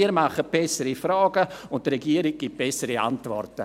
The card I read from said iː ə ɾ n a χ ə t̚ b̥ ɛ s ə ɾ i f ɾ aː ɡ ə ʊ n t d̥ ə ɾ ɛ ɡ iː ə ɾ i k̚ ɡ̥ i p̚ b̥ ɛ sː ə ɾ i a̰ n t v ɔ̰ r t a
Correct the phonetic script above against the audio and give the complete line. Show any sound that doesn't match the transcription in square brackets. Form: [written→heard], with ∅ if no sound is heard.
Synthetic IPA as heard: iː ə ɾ [n→m] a χ ə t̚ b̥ ɛ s ə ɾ i f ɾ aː ɡ ə ʊ n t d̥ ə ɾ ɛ ɡ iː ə ɾ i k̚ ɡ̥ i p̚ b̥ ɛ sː ə ɾ i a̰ n t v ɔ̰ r t [a→ə]